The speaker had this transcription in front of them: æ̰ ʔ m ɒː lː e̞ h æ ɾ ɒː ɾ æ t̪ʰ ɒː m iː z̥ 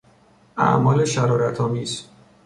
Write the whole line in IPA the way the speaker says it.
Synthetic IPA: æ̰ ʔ m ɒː l e̞ ʃ æ ɾ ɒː ɾ æ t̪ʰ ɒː m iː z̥